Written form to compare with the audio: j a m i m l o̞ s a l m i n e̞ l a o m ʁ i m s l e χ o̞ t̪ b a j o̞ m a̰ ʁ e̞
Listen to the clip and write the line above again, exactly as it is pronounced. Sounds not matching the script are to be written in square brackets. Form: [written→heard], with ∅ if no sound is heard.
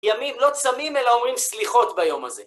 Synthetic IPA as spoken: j a m i m l o̞ [s→t͡s] a [l→∅] m i [n→m] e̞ l a o m ʁ i m s l [e→i] χ o̞ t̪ b a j o̞ m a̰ [ʁ→z] e̞